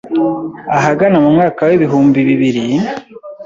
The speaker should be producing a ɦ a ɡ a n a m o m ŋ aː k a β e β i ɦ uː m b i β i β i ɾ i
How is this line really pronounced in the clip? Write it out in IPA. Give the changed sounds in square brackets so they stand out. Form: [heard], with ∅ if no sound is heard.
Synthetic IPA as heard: a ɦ a ɡ a n a m [u] m ŋ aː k a [w] e β i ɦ uː m b i β i β i ɾ i